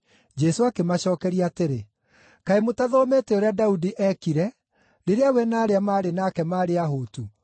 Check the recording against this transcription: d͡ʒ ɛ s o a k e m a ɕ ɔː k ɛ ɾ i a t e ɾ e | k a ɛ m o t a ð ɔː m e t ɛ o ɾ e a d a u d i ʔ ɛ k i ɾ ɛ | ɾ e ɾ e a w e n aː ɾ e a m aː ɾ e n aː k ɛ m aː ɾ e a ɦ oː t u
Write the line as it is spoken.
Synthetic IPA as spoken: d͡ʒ ɛ s o a k e m a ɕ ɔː k ɛ ɾ i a t e ɾ e | k a e m o t a ð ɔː m e t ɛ o ɾ e a d a u d i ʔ ɛ k i ɾ ɛ | ɾ e ɾ e a w ɛ n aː ɾ e a m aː ɾ e n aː k ɛ m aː ɾ e a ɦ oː t u